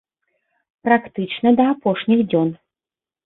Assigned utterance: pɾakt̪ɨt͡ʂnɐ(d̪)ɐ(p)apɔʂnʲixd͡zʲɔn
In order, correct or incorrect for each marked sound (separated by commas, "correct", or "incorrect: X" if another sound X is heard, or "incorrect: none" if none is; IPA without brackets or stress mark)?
correct, incorrect: none